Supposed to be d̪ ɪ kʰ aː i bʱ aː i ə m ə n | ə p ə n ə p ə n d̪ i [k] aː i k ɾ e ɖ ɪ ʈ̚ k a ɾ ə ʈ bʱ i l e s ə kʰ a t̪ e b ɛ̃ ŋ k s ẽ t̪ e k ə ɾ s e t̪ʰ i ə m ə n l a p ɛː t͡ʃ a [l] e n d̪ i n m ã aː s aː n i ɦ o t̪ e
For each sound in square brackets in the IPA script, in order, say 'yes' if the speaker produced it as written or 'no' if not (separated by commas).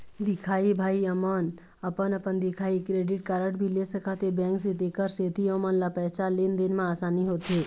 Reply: no, yes